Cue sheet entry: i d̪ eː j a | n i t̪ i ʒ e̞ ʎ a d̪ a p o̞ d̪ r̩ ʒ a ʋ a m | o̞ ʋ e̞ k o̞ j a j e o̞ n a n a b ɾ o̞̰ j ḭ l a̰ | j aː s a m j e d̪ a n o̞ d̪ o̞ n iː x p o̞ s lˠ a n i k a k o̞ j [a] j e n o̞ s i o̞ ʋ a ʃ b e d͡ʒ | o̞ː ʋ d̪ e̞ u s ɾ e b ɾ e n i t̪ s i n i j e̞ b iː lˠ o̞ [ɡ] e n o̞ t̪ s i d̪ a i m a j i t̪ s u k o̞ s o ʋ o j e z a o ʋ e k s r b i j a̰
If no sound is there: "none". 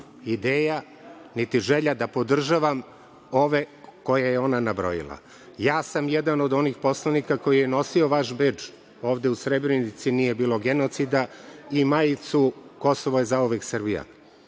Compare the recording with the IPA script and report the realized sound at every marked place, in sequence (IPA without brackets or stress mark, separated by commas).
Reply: i, ɡ